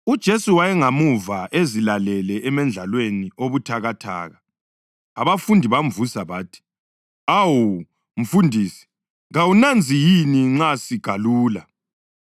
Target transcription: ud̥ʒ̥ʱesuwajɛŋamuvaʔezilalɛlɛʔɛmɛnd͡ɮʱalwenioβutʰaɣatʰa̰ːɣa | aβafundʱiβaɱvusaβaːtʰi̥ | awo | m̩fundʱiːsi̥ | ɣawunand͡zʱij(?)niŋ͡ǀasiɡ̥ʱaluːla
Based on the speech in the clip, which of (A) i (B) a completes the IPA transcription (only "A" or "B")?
A